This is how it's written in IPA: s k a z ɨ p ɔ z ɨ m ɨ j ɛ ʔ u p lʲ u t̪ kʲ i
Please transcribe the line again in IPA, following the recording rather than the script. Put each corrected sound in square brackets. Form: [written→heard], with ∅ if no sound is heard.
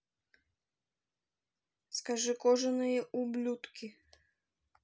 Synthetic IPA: s k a [z→ʐ] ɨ [p→k] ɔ [z→ʐ] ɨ [m→n] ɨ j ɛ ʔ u [p→b] lʲ u t̪ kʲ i

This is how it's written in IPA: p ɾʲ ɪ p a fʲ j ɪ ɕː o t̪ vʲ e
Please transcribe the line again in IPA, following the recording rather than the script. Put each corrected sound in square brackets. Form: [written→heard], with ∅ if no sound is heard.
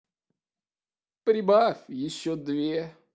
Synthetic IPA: p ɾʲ ɪ [p→b] a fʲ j ɪ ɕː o [t̪→d̪] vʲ e

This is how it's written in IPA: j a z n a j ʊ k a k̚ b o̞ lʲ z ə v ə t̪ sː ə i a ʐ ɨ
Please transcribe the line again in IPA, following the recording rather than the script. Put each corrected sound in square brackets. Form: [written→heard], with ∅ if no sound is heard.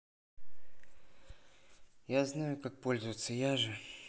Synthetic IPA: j a z n a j ʊ k a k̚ [b→p] o̞ lʲ z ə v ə t̪ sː ə [i→j] a ʐ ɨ

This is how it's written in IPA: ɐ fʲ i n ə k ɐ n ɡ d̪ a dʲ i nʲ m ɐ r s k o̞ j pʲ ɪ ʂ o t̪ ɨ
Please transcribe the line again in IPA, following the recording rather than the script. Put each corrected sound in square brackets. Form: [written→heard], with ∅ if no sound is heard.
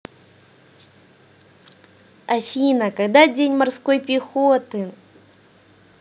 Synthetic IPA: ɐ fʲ i n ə k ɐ [n→∅] ɡ d̪ a dʲ [i→e] nʲ m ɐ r s k o̞ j pʲ ɪ [ʂ→x] o t̪ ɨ

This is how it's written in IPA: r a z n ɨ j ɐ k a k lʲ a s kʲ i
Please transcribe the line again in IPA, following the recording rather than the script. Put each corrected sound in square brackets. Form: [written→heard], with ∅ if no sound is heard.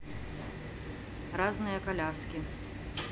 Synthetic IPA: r a z n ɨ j ɐ k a [k→∅] lʲ a s kʲ i

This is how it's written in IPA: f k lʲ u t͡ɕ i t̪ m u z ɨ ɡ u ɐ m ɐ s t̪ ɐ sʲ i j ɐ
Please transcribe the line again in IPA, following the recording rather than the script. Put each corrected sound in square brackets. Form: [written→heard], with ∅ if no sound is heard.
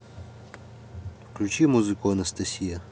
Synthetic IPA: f k lʲ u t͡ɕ i [t̪→∅] m u z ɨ [ɡ→k] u ɐ [m→n] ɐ s t̪ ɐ sʲ i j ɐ

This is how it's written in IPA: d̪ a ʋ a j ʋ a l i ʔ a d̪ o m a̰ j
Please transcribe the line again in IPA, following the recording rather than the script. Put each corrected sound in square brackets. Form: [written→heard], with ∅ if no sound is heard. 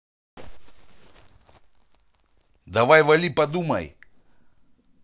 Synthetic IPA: d̪ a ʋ a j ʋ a l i [ʔ→p] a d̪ [o→u] m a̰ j

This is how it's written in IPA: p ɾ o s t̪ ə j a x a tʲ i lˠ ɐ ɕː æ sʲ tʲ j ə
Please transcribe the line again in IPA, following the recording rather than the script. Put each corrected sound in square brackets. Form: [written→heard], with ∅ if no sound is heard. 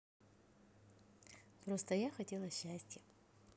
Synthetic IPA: p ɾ o s t̪ ə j a x [a→ɐ] tʲ [i→e] lˠ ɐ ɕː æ sʲ tʲ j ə

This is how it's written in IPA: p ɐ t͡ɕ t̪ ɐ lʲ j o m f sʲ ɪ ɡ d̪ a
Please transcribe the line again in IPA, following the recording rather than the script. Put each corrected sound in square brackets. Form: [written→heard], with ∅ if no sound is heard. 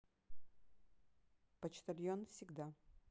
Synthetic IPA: p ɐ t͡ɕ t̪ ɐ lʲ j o [m→n] f sʲ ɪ ɡ d̪ a

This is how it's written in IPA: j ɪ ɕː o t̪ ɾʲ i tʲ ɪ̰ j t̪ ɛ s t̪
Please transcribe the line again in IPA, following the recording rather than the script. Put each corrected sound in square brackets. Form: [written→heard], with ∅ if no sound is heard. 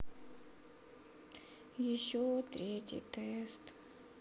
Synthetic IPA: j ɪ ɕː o t̪ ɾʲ [i→e] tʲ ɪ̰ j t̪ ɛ s t̪

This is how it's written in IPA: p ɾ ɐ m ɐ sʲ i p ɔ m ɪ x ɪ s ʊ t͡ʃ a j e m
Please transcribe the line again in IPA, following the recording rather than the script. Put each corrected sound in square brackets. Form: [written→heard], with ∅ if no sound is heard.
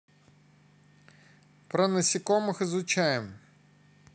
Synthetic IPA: p ɾ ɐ [m→n] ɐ sʲ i [p→k] ɔ m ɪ x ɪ [s→z] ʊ t͡ʃ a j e m

